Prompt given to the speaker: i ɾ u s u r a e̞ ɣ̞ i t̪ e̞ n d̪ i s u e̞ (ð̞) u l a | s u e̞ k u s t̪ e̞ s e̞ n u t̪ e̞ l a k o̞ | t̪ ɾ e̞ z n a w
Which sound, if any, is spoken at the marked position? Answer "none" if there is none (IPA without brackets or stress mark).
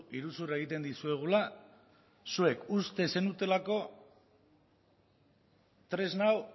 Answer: ɣ̞